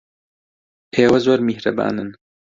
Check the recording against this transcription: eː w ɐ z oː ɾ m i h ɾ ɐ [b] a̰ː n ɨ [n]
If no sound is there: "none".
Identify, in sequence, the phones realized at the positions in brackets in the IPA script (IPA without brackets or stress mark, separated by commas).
b, n